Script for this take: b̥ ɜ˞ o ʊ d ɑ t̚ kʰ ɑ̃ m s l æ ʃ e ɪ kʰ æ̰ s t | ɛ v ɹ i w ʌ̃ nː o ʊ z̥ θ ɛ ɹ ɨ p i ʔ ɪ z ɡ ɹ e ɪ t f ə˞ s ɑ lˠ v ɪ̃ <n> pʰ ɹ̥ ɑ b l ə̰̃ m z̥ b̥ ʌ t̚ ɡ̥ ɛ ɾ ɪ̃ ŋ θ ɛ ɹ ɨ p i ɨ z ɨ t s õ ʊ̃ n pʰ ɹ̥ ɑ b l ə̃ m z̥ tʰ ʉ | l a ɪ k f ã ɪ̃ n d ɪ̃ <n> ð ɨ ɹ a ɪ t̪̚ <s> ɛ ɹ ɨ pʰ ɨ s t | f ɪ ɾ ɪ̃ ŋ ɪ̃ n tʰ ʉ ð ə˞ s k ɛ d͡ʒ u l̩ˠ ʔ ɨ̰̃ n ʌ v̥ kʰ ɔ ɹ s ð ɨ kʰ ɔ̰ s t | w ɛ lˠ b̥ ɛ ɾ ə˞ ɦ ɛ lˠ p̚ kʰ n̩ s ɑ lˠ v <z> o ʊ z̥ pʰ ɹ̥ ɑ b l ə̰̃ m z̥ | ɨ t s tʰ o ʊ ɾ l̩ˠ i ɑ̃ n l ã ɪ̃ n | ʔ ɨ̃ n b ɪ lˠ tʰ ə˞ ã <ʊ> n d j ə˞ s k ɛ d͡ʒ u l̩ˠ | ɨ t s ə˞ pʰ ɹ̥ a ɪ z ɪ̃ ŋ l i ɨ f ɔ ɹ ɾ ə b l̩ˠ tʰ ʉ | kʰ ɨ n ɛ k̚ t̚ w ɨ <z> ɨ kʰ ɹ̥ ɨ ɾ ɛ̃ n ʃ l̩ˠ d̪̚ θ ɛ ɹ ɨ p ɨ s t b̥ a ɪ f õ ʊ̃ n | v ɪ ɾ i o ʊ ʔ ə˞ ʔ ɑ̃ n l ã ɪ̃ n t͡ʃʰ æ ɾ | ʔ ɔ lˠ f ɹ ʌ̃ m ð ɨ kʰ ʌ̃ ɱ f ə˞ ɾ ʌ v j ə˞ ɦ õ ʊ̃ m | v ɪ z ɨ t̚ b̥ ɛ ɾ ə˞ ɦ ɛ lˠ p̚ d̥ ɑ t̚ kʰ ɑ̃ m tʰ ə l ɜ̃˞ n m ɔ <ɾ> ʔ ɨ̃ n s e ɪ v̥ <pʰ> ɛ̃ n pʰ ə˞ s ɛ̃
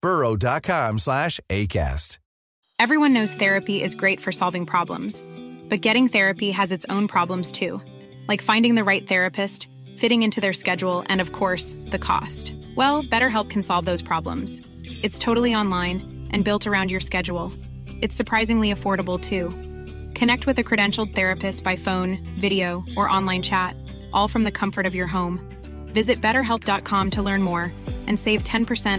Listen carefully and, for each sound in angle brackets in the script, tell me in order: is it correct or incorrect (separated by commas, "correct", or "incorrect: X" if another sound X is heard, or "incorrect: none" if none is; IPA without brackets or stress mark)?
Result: incorrect: ŋ, incorrect: ŋ, incorrect: θ, incorrect: ð, incorrect: ʊ̃, incorrect: ð, incorrect: ɹ, incorrect: tʰ